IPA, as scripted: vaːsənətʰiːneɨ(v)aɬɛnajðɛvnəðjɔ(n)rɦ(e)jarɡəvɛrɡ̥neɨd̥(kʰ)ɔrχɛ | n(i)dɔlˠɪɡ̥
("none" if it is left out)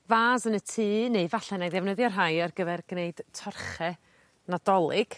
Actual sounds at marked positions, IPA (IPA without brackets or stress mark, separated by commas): v, none, a, tʰ, a